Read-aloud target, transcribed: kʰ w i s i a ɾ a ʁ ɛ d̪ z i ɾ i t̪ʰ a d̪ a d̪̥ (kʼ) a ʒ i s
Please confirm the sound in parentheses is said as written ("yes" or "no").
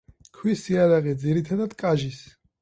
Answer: yes